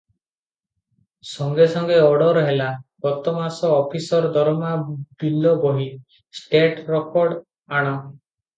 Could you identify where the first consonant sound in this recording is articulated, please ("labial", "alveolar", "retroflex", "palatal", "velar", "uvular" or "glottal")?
alveolar